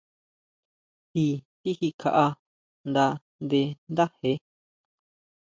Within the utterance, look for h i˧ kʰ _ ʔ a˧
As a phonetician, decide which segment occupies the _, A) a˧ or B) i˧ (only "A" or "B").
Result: A